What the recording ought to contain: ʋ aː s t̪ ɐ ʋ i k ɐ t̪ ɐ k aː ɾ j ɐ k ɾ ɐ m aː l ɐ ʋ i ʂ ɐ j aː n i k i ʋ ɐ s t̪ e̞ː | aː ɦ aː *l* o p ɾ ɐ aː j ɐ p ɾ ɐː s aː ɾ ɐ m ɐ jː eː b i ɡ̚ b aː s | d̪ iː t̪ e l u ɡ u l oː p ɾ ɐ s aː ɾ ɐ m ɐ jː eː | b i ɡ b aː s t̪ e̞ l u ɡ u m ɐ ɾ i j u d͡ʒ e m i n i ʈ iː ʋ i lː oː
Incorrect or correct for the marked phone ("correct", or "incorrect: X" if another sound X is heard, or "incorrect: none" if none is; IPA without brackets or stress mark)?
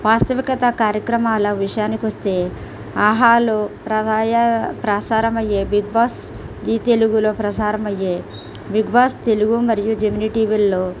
correct